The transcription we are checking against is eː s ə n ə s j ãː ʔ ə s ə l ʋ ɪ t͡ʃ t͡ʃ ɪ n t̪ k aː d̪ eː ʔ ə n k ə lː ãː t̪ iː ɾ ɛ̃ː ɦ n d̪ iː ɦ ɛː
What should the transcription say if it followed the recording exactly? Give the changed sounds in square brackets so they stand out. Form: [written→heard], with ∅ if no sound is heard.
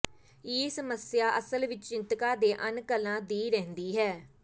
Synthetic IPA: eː s ə [n→m] ə s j [ãː→aː] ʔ ə s ə l ʋ ɪ t͡ʃ t͡ʃ ɪ n t̪ k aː d̪ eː ʔ ə n k ə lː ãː [t̪→d̪] iː ɾ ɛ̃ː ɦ n d̪ iː ɦ ɛː